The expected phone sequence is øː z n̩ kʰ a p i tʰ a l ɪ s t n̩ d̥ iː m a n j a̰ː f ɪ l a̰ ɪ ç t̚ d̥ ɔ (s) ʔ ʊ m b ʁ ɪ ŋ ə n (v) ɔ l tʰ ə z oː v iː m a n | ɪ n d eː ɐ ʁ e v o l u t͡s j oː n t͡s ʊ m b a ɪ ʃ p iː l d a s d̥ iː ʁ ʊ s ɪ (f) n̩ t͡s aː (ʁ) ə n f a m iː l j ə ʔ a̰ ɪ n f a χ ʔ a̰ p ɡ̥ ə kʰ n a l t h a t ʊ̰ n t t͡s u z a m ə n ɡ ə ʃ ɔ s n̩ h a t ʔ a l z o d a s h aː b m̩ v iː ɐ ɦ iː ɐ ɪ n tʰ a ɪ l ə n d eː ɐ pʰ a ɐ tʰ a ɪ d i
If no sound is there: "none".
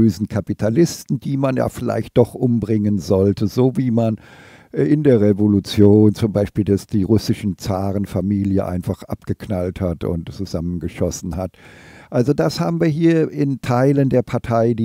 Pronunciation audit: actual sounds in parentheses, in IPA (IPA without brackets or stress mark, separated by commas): χ, z, ʃ, ʁ